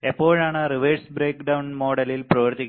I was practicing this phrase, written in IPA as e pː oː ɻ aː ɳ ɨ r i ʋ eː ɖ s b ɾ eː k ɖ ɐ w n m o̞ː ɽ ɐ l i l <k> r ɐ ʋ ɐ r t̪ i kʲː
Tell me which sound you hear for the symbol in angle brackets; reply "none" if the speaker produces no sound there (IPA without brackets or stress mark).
p